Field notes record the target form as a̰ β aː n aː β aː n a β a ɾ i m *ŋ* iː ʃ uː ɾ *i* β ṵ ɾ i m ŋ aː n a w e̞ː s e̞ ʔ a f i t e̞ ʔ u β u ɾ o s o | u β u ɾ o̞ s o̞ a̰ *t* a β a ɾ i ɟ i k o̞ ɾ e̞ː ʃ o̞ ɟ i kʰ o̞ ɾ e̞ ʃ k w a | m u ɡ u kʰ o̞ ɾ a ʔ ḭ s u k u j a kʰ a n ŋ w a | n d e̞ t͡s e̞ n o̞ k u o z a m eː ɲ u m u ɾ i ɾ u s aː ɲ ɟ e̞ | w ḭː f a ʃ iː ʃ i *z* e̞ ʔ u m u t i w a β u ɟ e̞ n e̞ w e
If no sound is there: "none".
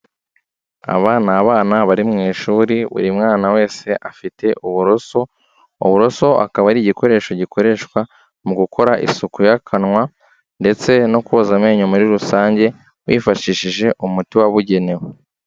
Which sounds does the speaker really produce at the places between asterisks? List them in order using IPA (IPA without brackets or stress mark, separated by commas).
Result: ŋ, i, k, ʒ